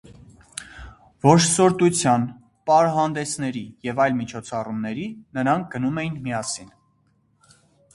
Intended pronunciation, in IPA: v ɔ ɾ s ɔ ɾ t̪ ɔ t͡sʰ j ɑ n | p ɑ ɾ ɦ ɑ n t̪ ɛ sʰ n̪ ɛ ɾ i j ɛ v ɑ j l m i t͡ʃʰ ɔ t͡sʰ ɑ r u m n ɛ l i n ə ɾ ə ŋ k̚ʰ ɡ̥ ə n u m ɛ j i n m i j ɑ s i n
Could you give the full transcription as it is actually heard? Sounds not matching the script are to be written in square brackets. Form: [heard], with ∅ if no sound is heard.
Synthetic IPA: v ɔ ɾ s ɔ ɾ t̪ [u] t͡sʰ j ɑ n | p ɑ ɾ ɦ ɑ n [d̪] ɛ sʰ n̪ ɛ ɾ i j ɛ v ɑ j l m i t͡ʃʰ ɔ t͡sʰ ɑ r u m n ɛ [ɾ] i n ə ɾ [ɑ] ŋ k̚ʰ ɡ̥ ə n u m ɛ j i n m i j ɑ s i n

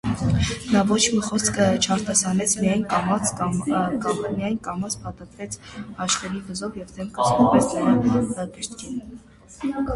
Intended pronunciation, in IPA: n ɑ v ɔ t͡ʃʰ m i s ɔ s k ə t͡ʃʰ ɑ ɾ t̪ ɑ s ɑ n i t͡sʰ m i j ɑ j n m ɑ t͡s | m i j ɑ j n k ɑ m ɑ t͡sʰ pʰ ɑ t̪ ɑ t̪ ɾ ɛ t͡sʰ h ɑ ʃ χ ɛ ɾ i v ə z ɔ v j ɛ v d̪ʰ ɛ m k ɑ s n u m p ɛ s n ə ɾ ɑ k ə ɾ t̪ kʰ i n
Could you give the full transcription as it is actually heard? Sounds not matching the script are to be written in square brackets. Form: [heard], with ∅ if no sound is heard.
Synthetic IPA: n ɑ v ɔ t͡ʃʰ m i [χ] ɔ s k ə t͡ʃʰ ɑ ɾ t̪ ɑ s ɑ n [ɛ] t͡sʰ m i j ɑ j n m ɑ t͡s | m i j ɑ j n k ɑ m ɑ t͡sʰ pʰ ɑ t̪ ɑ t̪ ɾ ɛ t͡sʰ h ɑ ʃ χ ɛ ɾ i v ə z ɔ v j ɛ v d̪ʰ ɛ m k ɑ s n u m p ɛ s n ə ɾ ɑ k ə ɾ t̪ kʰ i n

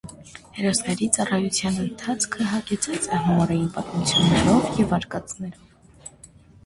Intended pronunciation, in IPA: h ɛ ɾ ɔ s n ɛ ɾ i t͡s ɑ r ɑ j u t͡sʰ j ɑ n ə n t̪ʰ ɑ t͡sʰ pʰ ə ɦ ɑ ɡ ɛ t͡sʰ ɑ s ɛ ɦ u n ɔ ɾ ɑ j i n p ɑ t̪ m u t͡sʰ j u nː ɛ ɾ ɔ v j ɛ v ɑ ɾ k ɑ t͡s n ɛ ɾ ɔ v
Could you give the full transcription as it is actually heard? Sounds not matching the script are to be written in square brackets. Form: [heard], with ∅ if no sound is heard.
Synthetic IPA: h ɛ ɾ ɔ s n ɛ ɾ i t͡s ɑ r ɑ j u t͡sʰ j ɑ n ə n t̪ʰ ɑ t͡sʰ [kʰ] ə ɦ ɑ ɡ ɛ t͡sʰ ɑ [t͡s] ɛ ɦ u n ɔ ɾ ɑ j i n p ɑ t̪ m u t͡sʰ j u nː ɛ ɾ ɔ v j ɛ v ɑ ɾ k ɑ t͡s n ɛ ɾ ɔ v

